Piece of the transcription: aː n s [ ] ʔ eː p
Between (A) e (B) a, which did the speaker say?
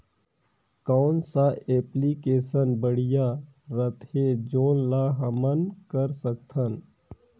B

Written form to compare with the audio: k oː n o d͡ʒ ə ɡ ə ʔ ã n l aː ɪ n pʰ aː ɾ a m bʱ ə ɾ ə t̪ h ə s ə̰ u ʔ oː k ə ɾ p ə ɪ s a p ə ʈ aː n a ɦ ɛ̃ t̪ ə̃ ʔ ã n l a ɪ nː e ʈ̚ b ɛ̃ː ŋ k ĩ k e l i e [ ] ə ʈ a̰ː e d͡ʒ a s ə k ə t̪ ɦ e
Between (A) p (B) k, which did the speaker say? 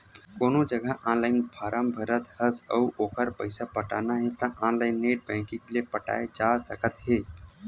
A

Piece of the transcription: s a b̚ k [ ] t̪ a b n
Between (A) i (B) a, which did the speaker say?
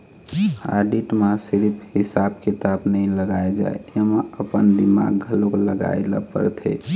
A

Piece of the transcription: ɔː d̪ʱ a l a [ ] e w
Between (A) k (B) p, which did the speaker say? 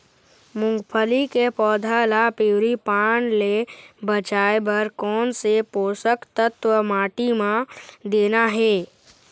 B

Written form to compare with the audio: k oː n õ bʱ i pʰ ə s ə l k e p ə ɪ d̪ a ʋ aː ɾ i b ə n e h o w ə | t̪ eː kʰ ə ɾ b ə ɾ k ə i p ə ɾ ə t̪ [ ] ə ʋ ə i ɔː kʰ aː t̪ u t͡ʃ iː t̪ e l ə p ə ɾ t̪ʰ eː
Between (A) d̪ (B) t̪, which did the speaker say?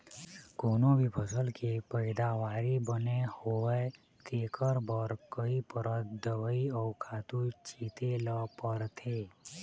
A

